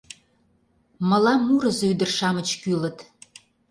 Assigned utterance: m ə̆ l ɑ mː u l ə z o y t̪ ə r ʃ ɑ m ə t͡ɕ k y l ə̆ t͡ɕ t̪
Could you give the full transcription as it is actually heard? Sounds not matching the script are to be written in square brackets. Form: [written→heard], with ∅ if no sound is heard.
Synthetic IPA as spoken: m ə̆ l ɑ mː u [l→ɾ] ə z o y [t̪→d̪] ə r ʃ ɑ m ə t͡ɕ k y l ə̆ [t͡ɕ→∅] t̪